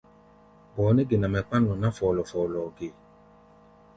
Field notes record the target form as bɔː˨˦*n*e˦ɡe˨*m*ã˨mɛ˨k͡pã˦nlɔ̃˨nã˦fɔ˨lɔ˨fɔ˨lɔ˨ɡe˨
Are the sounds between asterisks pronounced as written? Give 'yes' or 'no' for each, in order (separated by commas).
yes, no